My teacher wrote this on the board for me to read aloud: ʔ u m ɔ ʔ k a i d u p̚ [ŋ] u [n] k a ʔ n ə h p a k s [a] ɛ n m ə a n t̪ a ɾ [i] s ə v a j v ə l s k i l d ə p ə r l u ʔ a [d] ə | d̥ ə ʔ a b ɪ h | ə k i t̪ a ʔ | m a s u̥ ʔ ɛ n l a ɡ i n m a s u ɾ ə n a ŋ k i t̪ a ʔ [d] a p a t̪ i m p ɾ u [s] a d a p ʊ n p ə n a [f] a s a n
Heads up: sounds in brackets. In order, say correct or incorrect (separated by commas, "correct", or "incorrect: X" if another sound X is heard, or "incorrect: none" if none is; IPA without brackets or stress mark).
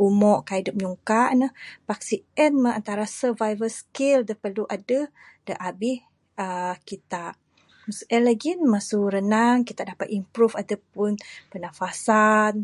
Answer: incorrect: ɲ, incorrect: ŋ, incorrect: i, incorrect: a, correct, correct, incorrect: f, correct